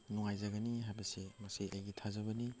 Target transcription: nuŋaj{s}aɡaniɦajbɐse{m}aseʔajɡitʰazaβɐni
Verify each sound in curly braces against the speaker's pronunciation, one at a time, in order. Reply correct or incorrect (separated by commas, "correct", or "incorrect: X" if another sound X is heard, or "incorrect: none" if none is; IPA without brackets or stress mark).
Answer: incorrect: z, correct